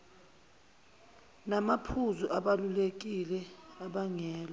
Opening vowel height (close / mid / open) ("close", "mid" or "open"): open